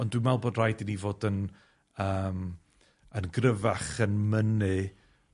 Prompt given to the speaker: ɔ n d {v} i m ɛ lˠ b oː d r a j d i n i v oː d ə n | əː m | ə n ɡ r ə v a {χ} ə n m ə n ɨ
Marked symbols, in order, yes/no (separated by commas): no, yes